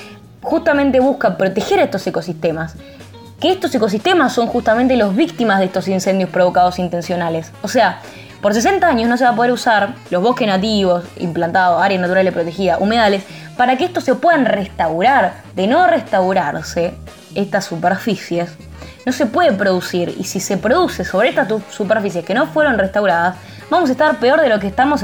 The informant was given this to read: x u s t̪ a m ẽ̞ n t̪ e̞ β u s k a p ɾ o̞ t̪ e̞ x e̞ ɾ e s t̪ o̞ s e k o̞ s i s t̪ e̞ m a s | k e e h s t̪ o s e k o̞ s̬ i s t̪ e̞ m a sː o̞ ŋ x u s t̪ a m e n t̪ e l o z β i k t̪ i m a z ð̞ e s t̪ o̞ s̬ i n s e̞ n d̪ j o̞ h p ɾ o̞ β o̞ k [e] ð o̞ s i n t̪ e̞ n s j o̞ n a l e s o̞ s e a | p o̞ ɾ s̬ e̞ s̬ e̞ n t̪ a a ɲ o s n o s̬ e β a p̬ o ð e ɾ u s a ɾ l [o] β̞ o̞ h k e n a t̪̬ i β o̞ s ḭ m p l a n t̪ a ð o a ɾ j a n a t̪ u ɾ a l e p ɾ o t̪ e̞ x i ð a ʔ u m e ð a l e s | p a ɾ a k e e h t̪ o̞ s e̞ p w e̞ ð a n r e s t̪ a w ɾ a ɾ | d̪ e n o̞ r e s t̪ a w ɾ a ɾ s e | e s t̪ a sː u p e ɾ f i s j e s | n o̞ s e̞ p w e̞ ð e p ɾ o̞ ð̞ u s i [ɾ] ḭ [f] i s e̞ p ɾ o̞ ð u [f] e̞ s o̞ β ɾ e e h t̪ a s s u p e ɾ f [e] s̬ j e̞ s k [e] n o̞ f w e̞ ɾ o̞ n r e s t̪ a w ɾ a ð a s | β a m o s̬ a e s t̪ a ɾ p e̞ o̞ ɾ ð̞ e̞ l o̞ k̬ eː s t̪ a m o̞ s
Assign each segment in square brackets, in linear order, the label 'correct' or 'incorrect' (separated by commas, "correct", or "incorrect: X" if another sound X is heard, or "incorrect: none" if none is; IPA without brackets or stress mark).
incorrect: a, correct, correct, incorrect: s, incorrect: s, incorrect: i, correct